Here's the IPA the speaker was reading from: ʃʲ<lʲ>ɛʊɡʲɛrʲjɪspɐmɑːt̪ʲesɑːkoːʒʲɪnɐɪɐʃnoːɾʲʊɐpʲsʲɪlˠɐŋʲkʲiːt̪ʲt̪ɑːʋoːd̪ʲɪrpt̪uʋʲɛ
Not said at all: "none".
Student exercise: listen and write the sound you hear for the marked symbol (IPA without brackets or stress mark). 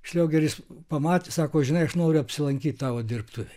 lʲ